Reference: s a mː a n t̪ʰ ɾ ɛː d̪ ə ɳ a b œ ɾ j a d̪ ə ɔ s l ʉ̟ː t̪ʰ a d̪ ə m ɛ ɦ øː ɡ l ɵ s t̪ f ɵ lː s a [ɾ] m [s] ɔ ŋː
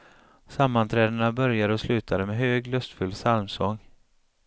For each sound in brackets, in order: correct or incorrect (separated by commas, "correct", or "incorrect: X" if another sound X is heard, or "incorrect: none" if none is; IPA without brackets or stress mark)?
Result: incorrect: l, correct